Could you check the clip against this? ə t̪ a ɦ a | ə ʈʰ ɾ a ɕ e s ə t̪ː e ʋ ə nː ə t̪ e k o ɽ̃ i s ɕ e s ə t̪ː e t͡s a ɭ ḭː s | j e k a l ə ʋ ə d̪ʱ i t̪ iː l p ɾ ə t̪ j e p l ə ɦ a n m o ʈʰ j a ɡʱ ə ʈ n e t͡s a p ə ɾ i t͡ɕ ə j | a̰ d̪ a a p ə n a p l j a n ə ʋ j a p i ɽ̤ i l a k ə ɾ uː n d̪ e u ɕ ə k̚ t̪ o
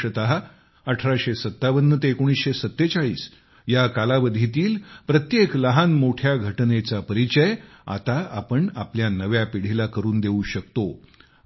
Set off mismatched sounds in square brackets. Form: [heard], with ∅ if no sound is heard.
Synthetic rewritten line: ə t̪ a ɦ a | ə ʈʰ ɾ a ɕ e s ə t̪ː [a] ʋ ə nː ə t̪ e k o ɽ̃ i s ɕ e s ə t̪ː e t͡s a ɭ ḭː s | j [a] k a l [a] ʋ ə d̪ʱ i t̪ iː l p ɾ ə t̪ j e [k] l ə ɦ a n m o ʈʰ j a ɡʱ ə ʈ n e t͡s a p ə ɾ i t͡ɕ ə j | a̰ [t̪] a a p ə [ɳ] a p l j a n ə ʋ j a p i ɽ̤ i l a k ə ɾ uː n d̪ e u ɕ ə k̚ t̪ o